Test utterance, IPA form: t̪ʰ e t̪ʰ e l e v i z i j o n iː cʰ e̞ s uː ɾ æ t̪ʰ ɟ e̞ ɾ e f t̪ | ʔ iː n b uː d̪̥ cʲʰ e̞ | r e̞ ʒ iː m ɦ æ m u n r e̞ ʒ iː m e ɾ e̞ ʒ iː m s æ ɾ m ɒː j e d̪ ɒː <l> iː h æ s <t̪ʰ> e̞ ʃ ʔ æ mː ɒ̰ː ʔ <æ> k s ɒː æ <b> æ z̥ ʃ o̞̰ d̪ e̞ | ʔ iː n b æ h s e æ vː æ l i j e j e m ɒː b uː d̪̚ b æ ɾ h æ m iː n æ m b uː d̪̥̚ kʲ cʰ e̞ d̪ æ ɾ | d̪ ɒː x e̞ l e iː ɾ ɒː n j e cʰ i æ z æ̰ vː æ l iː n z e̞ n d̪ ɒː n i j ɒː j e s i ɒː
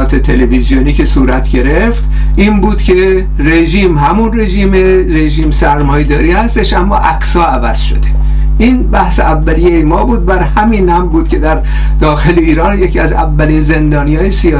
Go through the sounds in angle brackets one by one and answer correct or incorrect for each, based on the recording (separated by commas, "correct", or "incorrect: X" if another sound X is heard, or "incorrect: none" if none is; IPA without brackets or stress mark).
incorrect: ɾ, incorrect: t̪, correct, incorrect: v